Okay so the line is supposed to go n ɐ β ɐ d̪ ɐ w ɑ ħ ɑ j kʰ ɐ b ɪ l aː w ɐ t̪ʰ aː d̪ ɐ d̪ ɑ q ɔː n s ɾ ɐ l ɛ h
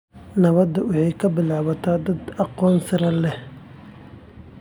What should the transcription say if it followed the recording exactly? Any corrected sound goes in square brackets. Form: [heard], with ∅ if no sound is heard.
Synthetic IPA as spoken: n ɐ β ɐ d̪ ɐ w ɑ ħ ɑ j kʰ ɐ b ɪ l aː [β] ɐ t̪ʰ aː d̪ ɐ d̪ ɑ q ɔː n s ɾ ɐ l ɛ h